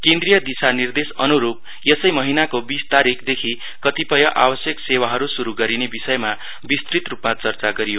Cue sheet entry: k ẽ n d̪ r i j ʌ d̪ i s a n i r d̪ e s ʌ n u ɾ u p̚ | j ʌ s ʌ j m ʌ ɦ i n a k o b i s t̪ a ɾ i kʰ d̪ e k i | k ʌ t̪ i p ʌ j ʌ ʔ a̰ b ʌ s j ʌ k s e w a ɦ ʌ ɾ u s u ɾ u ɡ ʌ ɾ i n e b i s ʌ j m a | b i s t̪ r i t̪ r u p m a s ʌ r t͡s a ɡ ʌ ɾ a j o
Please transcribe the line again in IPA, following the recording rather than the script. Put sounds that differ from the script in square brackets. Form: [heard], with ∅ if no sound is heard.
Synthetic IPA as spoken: k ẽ n d̪ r i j ʌ d̪ i s a n i r d̪ e s ʌ n u ɾ u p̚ | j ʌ s ʌ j m ʌ ɦ i n a k o b i s t̪ a ɾ i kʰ d̪ e [kʰ] i | k ʌ t̪ i p ʌ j ʌ ʔ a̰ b ʌ s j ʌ k s e w a ɦ ʌ ɾ u s u ɾ u ɡ ʌ ɾ i n e b i s ʌ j m a | b i s t̪ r i t̪ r u p m a [t͡s] ʌ r t͡s a ɡ ʌ ɾ [i] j o